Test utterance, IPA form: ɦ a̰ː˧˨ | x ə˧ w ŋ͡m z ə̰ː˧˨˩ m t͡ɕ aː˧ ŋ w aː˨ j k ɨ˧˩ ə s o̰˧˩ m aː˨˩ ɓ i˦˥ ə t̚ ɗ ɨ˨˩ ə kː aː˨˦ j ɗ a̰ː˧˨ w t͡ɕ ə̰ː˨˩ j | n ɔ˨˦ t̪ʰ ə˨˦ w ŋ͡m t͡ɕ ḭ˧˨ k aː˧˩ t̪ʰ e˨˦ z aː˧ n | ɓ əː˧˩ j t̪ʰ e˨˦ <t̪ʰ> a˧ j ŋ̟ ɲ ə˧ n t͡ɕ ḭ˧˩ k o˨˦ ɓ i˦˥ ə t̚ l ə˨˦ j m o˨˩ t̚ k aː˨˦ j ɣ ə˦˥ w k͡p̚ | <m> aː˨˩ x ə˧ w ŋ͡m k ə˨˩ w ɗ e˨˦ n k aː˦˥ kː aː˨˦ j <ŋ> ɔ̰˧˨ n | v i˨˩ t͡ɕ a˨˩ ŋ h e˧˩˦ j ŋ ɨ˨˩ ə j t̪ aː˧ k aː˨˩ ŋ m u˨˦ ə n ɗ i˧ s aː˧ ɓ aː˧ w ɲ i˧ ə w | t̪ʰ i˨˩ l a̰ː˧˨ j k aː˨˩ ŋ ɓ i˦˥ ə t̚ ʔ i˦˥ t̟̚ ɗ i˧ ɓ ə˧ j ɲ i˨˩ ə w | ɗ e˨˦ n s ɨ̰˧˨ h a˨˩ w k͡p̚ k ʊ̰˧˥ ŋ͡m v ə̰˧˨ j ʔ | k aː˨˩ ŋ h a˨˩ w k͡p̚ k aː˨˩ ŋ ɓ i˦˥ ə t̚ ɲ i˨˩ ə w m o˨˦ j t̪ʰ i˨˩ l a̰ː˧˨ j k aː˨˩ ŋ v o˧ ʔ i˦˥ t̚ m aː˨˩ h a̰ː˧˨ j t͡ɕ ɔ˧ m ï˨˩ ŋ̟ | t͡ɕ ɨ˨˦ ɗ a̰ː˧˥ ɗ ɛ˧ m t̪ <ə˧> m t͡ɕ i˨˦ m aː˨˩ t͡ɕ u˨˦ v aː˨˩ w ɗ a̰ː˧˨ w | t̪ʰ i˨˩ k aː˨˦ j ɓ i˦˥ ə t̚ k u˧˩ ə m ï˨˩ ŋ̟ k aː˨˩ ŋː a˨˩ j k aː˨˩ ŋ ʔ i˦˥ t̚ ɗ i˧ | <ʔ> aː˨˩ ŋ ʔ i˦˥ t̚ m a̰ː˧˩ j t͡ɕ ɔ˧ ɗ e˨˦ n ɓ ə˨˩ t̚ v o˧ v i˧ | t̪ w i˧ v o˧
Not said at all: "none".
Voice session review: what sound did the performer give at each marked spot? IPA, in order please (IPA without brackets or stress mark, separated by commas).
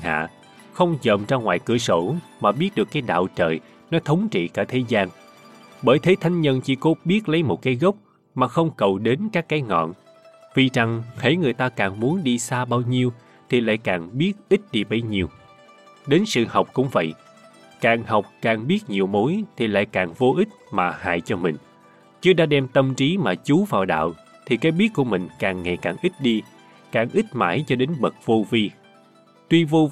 t̪ʰ, m, ŋ, ə˧, k